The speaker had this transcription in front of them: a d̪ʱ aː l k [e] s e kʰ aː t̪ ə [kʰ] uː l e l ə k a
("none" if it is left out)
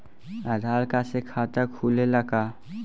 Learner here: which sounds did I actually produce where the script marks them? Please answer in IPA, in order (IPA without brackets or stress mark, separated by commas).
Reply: a, kʰ